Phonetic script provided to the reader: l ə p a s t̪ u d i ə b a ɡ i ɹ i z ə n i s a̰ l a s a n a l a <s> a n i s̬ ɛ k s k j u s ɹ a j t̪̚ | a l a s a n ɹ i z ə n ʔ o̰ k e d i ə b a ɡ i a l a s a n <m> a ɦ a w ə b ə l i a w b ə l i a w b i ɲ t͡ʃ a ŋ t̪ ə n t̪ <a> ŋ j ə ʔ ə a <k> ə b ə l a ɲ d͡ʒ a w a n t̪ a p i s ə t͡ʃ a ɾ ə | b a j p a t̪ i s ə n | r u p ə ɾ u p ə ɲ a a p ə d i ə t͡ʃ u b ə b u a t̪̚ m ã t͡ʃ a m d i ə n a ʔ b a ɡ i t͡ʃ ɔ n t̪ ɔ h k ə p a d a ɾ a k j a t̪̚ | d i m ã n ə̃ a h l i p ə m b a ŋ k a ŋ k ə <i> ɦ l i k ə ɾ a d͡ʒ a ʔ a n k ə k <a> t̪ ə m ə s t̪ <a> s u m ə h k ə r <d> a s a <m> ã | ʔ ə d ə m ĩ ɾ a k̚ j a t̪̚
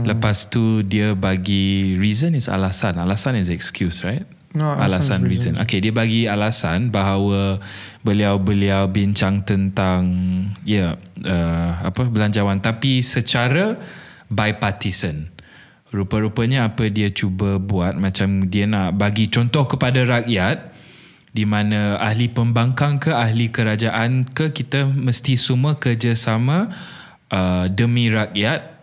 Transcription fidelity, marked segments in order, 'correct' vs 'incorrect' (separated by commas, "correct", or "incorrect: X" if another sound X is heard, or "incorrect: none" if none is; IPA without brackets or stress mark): correct, incorrect: b, correct, incorrect: p, incorrect: a, incorrect: i, incorrect: i, incorrect: d͡ʒ, correct